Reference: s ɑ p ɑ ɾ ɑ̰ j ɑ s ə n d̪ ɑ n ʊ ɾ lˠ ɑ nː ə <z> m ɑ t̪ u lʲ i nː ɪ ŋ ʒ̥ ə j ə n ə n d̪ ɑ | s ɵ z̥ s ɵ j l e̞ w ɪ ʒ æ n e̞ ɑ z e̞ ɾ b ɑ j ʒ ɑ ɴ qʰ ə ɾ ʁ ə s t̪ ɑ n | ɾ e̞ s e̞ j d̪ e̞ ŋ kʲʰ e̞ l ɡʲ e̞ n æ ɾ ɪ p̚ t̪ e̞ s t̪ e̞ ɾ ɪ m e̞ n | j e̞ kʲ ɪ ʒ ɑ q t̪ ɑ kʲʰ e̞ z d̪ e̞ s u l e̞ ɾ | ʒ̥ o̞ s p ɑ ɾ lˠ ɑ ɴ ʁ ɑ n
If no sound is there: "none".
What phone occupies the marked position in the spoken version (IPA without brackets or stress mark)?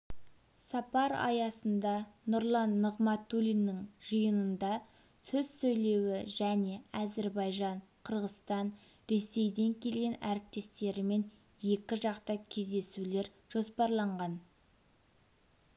ʁ